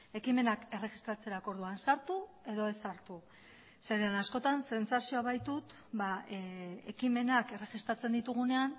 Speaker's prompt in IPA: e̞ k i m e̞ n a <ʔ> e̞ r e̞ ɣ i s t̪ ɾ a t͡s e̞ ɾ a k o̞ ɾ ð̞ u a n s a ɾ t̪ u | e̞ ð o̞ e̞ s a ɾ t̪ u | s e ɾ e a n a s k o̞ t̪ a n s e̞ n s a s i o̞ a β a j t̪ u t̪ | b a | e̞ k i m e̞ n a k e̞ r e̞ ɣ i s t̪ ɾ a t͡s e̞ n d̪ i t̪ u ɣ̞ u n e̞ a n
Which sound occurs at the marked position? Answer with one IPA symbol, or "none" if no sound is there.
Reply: k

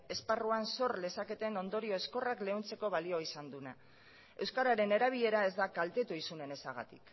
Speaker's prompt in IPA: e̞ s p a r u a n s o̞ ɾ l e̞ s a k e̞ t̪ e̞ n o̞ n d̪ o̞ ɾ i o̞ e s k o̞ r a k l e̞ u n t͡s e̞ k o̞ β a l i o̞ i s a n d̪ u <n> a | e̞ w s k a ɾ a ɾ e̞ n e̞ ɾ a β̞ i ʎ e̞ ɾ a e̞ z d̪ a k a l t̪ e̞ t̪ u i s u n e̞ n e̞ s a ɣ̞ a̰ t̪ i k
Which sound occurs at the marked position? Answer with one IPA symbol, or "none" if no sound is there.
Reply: n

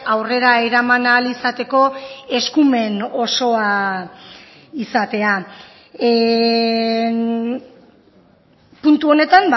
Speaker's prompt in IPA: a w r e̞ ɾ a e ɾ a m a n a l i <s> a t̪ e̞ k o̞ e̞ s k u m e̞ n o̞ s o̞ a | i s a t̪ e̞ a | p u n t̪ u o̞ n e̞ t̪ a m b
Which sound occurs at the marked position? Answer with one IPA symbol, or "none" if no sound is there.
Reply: s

